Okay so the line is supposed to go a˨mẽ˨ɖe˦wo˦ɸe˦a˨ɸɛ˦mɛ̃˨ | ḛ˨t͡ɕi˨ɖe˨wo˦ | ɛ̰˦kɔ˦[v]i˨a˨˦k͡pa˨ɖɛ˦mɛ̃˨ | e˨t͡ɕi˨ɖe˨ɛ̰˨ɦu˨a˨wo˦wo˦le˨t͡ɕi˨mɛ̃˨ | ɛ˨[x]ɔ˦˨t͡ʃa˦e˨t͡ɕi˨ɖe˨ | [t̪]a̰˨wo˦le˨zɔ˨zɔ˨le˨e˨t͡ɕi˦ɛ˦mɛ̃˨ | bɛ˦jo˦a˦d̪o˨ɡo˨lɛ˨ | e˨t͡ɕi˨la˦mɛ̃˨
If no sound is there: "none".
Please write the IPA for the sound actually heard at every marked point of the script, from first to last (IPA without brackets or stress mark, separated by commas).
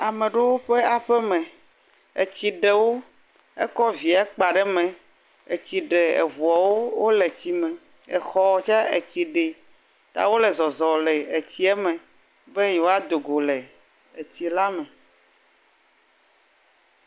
v, x, t̪